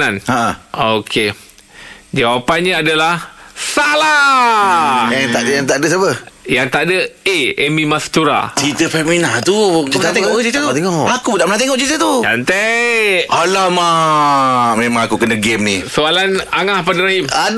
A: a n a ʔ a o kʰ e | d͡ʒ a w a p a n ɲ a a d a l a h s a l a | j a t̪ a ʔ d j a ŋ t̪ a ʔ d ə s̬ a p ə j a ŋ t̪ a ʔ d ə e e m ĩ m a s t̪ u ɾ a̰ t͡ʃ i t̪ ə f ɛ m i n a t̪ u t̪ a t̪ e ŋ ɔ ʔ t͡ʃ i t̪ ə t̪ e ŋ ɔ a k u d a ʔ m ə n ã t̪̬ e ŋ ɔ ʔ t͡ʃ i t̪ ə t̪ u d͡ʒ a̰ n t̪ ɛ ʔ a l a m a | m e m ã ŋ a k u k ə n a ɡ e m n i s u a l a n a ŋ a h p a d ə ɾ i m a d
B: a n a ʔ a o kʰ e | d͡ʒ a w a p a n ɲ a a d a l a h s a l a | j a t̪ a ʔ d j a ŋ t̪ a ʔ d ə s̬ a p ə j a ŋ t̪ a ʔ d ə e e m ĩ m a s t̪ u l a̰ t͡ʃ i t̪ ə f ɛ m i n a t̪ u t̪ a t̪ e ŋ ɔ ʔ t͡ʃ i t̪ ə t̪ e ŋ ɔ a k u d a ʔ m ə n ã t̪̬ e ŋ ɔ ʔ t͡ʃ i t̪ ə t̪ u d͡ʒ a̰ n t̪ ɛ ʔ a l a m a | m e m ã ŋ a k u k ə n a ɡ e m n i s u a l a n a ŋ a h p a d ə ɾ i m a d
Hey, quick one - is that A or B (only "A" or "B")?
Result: A